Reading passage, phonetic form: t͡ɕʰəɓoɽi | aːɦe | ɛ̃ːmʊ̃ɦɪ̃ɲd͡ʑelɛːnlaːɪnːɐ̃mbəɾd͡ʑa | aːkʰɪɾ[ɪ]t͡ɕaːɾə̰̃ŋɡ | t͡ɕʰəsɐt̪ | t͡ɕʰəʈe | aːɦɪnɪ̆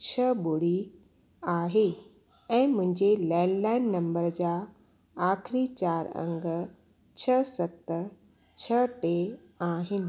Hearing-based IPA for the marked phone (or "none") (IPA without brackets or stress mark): i